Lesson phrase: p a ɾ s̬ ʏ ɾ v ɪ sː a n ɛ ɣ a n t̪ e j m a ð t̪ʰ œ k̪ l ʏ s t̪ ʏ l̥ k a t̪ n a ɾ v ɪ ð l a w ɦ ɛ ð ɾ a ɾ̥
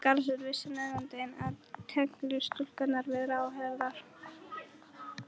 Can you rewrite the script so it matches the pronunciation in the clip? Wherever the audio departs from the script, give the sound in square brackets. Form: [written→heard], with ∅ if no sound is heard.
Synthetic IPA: [p→k] a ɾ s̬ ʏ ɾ v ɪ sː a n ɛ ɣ a n t̪ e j [m→n] a ð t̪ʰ [œ→ɛ] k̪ l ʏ s t̪ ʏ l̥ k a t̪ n a ɾ v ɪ ð [l→ɾ] a w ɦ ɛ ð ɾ a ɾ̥